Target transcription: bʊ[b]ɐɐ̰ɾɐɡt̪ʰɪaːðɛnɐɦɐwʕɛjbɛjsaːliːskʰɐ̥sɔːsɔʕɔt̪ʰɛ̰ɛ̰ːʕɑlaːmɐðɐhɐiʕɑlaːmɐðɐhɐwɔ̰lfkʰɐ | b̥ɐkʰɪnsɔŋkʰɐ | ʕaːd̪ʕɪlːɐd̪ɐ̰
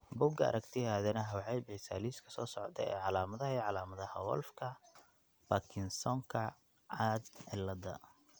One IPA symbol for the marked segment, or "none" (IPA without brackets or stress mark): ɡ